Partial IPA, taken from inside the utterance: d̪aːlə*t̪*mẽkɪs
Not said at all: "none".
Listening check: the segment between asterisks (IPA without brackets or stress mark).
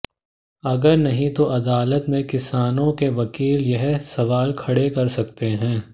t̪